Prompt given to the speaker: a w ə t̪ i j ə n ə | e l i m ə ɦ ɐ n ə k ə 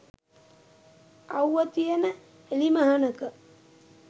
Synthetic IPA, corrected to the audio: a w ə t̪ i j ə n ə | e l i m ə ɦ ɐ n ə k ə